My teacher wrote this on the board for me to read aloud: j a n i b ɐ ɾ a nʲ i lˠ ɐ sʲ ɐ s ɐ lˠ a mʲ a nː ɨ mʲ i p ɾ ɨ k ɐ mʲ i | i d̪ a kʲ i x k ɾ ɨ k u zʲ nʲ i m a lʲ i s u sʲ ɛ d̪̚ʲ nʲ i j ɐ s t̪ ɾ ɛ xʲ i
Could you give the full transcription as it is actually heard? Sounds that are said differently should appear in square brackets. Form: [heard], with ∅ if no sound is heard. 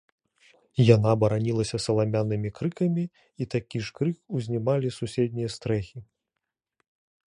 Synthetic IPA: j a n [a] b ɐ ɾ a nʲ i lˠ ɐ sʲ ɐ s ɐ lˠ a mʲ a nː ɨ mʲ i [k] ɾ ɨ k ɐ mʲ i | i [t̪] a kʲ i [ʂ] k ɾ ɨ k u zʲ nʲ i m a lʲ i s u sʲ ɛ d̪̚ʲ nʲ i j ɐ s t̪ ɾ ɛ xʲ i